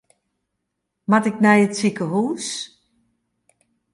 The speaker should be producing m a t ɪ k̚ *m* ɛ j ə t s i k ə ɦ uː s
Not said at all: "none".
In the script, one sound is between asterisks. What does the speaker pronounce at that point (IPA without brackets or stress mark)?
n